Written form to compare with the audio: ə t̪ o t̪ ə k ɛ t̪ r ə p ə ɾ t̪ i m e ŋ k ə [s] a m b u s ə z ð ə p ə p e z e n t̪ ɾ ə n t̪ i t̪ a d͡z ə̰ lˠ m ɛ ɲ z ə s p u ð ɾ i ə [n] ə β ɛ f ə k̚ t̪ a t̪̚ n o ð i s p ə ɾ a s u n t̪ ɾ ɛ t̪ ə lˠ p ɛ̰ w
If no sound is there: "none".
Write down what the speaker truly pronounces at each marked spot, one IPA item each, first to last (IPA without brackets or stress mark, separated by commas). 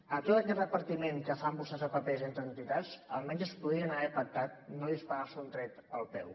f, n